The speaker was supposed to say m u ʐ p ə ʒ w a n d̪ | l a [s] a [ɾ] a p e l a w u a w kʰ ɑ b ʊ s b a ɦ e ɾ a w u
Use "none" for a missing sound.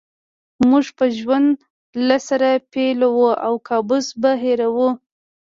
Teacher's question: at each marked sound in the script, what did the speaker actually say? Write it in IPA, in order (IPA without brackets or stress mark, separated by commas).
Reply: s, ɾ